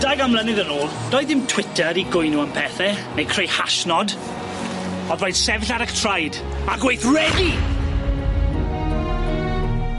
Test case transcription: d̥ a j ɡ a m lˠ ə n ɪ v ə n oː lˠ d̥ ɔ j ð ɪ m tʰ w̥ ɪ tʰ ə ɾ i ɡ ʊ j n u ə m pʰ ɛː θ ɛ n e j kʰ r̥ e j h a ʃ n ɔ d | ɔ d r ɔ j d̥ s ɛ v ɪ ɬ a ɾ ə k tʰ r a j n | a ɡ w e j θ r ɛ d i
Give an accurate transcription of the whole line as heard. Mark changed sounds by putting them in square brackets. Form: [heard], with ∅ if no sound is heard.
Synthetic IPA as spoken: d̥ a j ɡ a m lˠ ə n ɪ [ð] ə n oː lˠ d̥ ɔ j ð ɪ m tʰ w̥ ɪ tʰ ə ɾ i ɡ ʊ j n u ə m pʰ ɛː θ ɛ n e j kʰ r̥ e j h a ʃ n ɔ d | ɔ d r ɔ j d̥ s ɛ v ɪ ɬ a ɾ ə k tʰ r a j [d] | a ɡ w e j θ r ɛ d i